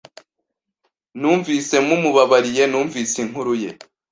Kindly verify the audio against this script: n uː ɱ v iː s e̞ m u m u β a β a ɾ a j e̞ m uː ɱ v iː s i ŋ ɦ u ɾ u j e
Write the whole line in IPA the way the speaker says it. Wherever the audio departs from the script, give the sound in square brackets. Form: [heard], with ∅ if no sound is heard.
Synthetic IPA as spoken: n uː ɱ v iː s e̞ m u m u β a β a ɾ [i] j e̞ [n] uː ɱ v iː s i ŋ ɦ u ɾ u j e

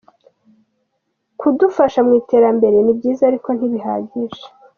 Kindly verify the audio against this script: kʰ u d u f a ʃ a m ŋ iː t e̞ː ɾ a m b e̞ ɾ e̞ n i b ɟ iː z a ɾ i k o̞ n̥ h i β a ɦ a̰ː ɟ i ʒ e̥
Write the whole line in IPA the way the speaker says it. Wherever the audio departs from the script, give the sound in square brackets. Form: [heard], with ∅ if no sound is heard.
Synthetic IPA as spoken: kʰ u d u f a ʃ a m ŋ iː t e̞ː ɾ a m b e̞ ɾ e̞ n i b ɟ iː z a ɾ i k o̞ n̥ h i β [i] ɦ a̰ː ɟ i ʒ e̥

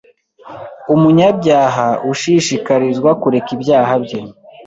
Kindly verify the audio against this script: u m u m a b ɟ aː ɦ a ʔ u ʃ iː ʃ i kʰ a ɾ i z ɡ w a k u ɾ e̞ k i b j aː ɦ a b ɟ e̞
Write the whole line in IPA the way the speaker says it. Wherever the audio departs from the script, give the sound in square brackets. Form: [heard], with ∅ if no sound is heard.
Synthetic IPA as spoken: u m u [ɲ] a b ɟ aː ɦ a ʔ u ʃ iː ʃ i [k] a ɾ i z ɡ w a k u ɾ e̞ k i b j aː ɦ a b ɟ e̞

